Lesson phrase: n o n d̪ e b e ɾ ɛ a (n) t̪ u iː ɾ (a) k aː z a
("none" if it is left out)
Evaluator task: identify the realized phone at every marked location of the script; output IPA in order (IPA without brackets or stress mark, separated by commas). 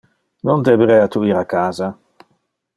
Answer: none, a